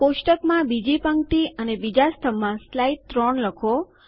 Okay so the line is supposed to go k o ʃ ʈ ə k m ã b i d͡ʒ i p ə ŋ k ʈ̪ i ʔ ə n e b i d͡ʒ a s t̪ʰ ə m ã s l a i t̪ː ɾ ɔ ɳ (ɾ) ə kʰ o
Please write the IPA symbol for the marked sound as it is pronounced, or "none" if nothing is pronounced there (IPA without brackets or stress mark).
l